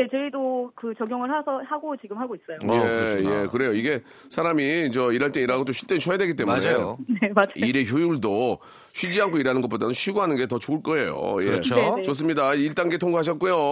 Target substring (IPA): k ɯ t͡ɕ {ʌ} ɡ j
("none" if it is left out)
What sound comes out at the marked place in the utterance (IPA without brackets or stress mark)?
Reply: ʌ